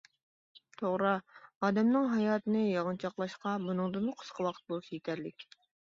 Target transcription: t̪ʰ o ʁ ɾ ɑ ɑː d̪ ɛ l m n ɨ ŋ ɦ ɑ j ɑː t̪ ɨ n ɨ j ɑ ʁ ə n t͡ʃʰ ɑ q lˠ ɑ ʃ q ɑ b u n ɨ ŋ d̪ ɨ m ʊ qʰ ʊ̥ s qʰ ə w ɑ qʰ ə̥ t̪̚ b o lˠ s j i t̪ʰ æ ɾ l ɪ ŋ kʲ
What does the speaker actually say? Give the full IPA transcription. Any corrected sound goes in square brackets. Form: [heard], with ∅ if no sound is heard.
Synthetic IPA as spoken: t̪ʰ o ʁ ɾ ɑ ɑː d̪ ɛ [∅] m n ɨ ŋ ɦ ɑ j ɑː t̪ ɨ n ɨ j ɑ ʁ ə n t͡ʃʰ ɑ q lˠ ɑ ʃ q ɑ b u n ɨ ŋ d̪ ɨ m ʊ qʰ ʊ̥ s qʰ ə w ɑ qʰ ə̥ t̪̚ b o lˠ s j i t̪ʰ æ ɾ l ɪ [∅] kʲ

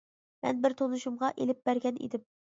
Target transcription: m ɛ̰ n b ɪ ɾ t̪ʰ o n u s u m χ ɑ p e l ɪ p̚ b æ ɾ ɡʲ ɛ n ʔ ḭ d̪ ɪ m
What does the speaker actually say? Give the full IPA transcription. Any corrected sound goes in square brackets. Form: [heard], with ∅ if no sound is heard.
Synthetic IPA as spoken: m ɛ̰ n b ɪ ɾ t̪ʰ o n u [ʃ] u m [ʁ] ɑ [ʔ] e l ɪ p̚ b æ ɾ ɡʲ ɛ n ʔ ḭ d̪ ɪ m

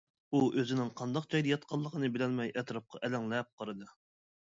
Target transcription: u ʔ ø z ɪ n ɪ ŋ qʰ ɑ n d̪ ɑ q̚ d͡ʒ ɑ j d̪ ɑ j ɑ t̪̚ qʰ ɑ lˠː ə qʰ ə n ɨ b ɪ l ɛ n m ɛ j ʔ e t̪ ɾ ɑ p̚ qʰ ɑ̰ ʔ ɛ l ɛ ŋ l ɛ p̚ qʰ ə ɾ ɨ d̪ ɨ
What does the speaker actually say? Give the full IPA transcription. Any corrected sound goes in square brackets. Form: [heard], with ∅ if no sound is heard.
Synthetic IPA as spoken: u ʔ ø z ɪ n ɪ ŋ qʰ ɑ n d̪ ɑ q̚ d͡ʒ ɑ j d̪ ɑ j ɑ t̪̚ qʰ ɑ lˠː ə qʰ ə n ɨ b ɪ l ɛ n m ɛ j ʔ [ɛ] t̪ ɾ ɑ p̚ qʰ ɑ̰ ʔ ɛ l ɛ ŋ l ɛ p̚ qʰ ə ɾ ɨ d̪ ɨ

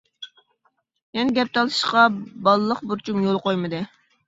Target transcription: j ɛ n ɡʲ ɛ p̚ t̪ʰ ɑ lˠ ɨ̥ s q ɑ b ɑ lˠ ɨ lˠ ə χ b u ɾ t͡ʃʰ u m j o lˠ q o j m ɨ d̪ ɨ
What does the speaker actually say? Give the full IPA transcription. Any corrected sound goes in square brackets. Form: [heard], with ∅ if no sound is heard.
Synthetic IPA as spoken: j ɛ n ɡʲ ɛ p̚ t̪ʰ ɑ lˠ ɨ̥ [ʃ] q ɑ b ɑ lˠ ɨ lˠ ə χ b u ɾ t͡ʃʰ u m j o lˠ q o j m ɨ d̪ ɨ

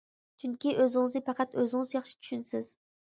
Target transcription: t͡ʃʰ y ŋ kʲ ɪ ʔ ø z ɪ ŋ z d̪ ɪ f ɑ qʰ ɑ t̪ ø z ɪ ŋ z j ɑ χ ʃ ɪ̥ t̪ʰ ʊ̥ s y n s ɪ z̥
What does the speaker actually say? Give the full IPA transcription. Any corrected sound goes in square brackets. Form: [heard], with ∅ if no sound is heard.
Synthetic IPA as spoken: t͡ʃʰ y ŋ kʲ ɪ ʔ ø z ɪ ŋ z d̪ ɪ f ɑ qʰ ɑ t̪ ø z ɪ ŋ z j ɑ χ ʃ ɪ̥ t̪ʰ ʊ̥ [ʃ] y n s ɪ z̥

